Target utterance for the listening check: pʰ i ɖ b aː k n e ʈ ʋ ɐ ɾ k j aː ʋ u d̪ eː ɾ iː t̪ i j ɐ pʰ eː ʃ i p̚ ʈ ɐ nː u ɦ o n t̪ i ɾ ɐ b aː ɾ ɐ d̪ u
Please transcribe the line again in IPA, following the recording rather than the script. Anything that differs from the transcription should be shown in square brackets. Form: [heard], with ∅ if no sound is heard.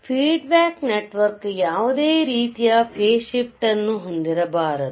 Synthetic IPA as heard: pʰ [iː] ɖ b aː k n e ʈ ʋ ɐ ɾ k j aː ʋ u d̪ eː ɾ iː t̪ i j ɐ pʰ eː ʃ i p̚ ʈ ɐ nː u ɦ o n [d̪] i ɾ ɐ b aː ɾ ɐ d̪ u